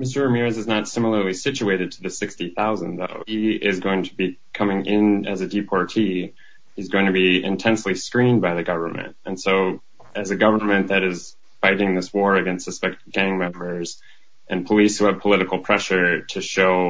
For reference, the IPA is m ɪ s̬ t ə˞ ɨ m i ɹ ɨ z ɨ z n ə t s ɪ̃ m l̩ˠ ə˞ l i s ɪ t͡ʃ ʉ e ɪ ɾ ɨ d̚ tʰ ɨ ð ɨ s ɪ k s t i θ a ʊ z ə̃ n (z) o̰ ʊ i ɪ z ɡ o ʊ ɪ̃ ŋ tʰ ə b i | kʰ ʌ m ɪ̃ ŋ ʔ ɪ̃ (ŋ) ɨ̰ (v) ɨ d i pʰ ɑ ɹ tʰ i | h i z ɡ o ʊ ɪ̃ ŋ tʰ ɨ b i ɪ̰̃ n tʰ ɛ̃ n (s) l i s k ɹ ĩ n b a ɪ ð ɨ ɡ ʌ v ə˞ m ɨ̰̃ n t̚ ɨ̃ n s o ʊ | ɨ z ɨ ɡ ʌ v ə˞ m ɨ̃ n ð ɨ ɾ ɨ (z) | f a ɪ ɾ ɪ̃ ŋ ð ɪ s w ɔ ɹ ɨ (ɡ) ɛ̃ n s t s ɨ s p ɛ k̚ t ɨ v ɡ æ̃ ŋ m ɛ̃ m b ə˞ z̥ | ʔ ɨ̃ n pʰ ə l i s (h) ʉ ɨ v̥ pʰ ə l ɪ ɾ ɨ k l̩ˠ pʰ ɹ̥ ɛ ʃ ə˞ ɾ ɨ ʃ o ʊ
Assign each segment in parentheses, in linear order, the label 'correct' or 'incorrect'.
incorrect: ð, incorrect: n, incorrect: z, correct, correct, correct, correct

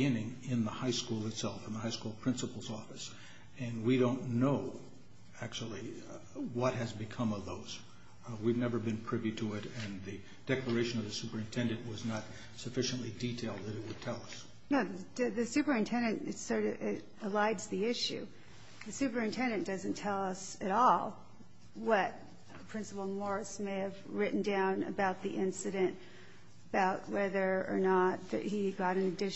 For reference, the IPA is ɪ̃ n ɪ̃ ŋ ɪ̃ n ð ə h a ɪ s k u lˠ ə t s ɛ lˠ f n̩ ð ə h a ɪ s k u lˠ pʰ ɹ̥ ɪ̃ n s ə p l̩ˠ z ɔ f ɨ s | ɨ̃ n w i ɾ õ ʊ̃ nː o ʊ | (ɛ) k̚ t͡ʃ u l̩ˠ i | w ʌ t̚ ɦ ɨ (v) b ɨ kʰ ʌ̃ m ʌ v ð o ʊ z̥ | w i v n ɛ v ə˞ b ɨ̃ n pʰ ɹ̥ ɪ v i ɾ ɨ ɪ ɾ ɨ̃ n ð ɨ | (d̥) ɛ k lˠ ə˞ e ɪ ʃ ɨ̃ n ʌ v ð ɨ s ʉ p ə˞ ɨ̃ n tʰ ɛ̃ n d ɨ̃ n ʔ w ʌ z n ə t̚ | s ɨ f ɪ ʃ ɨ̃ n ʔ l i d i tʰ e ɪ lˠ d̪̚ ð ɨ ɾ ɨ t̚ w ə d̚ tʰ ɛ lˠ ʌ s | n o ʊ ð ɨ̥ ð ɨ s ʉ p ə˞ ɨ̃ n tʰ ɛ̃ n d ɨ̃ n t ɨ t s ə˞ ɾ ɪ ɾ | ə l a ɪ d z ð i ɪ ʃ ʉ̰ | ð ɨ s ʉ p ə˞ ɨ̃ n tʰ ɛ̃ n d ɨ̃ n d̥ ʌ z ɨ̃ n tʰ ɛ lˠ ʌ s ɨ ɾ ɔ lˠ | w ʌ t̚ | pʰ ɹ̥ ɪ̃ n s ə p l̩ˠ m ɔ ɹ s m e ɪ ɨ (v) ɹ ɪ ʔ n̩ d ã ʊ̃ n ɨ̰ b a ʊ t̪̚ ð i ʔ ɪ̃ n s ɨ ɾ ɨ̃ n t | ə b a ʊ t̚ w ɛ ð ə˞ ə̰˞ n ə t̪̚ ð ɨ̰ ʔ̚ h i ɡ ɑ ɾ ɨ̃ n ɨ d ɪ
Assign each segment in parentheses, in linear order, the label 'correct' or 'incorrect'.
incorrect: æ, incorrect: z, correct, correct

